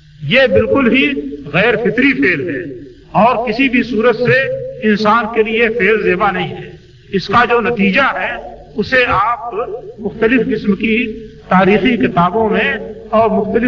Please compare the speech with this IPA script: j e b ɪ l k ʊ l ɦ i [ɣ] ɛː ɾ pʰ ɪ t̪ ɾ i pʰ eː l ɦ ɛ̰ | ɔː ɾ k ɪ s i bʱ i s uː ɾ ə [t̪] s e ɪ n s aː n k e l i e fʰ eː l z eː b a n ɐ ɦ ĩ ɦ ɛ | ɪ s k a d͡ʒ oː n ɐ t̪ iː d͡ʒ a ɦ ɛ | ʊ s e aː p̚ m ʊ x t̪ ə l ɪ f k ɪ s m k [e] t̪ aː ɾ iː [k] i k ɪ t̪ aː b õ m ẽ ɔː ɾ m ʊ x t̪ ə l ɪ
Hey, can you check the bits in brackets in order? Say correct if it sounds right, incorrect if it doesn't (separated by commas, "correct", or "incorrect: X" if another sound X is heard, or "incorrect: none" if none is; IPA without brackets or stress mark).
correct, correct, incorrect: i, incorrect: x